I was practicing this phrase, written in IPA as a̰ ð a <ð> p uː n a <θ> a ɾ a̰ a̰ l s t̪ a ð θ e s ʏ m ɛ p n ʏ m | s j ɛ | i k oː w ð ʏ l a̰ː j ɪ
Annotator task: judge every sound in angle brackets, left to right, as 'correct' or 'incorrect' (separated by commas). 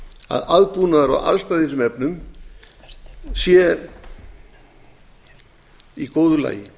correct, incorrect